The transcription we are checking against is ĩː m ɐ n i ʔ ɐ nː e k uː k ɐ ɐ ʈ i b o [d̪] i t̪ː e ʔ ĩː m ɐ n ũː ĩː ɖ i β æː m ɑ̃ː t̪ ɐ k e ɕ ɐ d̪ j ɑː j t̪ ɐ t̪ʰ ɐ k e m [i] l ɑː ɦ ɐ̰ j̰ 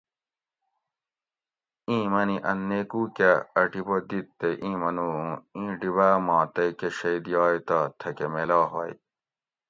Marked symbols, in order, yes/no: yes, no

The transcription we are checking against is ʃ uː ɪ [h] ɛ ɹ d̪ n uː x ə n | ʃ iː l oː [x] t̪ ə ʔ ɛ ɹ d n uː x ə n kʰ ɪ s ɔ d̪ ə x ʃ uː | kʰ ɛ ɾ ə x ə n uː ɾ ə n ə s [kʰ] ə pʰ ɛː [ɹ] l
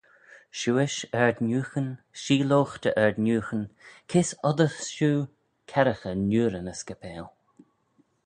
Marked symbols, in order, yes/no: no, yes, no, no

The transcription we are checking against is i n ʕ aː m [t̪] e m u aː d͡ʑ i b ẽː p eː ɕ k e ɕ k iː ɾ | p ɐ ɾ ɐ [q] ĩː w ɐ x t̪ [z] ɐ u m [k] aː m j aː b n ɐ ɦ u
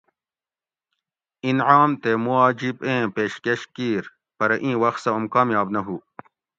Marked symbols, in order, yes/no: yes, no, no, yes

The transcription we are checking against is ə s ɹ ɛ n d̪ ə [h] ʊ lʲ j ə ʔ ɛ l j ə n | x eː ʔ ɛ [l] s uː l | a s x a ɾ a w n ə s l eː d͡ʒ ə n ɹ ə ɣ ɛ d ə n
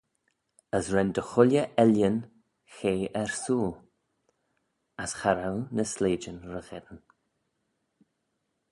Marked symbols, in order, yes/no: no, no

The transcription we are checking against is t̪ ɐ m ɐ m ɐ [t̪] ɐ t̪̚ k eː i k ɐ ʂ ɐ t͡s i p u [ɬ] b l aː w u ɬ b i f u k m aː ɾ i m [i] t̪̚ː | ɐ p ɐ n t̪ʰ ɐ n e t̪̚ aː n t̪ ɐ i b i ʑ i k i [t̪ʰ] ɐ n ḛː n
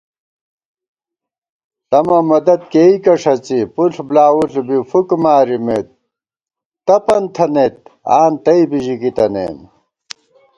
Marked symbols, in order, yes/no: no, yes, no, no

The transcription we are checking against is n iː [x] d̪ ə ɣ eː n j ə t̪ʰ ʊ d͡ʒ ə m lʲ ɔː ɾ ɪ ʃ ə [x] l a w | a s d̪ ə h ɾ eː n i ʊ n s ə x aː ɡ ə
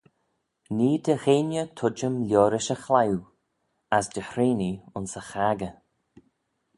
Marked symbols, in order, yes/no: no, yes

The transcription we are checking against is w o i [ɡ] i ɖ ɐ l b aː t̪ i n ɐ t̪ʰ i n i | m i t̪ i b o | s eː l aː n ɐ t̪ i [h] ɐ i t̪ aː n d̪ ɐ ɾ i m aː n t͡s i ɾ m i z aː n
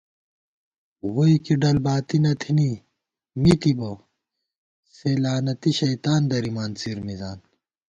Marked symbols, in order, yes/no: no, no

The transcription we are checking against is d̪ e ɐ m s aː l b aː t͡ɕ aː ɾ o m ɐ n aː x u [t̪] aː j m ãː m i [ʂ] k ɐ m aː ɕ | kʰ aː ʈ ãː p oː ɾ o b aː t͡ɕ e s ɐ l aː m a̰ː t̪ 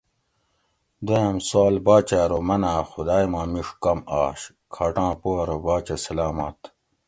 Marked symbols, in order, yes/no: no, yes

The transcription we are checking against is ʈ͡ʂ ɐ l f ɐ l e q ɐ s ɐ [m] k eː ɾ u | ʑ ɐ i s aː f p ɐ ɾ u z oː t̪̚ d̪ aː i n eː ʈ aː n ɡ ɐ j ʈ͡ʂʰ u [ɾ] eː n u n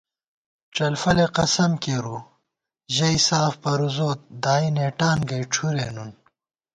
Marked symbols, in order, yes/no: yes, yes

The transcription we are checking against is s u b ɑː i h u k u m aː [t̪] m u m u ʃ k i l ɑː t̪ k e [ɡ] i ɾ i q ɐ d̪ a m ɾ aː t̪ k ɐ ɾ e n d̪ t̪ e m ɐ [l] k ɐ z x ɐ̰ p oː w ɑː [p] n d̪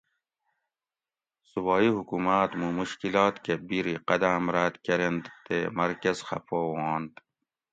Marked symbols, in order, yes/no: yes, no, no, no

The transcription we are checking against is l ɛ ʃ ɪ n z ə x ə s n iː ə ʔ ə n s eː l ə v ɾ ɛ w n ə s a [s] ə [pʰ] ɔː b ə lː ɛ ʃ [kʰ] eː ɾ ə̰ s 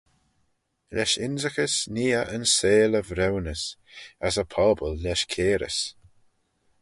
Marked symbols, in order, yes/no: yes, yes, yes

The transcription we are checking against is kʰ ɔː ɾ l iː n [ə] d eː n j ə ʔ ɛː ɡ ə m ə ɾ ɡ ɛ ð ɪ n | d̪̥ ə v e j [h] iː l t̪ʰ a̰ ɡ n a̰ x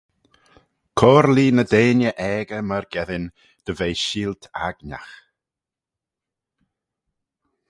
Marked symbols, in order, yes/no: yes, no

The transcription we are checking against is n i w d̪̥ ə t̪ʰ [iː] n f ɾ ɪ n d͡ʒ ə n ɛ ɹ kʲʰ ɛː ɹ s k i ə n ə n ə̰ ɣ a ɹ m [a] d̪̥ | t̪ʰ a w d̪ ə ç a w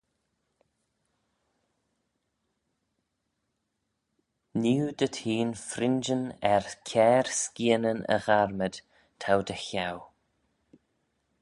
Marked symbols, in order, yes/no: yes, no

